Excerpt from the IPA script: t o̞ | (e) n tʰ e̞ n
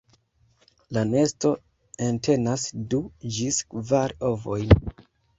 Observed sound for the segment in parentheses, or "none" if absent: e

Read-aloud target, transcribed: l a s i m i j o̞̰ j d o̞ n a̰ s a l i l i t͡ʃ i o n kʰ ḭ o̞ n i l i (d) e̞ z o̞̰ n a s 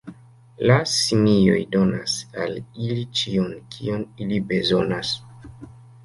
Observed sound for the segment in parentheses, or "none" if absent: b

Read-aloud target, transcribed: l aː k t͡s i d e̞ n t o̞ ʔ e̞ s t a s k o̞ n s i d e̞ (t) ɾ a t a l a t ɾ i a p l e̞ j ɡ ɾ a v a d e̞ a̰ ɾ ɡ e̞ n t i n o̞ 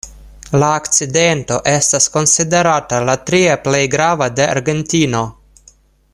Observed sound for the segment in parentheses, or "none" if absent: none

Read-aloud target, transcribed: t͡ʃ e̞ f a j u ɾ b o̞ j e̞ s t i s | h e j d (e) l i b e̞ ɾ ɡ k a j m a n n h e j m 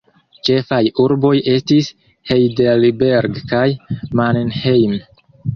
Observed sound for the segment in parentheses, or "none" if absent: e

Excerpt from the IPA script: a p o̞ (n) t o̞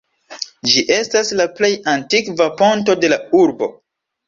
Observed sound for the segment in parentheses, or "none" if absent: n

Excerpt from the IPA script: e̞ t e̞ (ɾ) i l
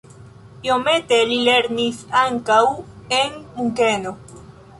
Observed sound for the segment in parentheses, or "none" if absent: l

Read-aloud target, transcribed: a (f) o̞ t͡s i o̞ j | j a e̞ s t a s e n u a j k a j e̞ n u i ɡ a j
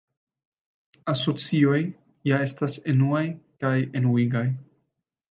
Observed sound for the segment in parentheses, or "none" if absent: s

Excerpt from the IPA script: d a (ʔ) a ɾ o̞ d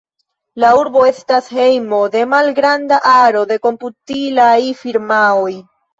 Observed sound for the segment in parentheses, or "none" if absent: ʔ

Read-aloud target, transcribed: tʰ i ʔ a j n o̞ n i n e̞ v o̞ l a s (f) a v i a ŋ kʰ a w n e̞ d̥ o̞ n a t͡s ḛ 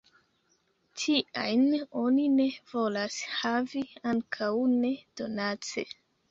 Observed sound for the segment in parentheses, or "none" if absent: h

